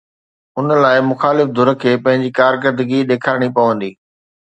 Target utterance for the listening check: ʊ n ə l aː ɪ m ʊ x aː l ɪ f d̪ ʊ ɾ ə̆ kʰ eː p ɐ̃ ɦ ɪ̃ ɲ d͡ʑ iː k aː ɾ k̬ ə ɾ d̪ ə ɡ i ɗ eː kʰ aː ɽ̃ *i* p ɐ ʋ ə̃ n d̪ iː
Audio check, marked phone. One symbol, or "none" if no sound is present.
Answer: i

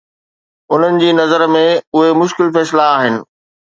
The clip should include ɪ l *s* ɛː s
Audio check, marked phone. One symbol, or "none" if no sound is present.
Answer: f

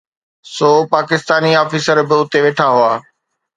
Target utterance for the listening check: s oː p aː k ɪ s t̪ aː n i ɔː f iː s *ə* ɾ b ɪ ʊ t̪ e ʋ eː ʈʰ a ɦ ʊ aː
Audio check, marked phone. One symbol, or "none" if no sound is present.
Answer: ə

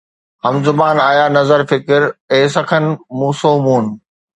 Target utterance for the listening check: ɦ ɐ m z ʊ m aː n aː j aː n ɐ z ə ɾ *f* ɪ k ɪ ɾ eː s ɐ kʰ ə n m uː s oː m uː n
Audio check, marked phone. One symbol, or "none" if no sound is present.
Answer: f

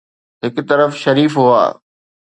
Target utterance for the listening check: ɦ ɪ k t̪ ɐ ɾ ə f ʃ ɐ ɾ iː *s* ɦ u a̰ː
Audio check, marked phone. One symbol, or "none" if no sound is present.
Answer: f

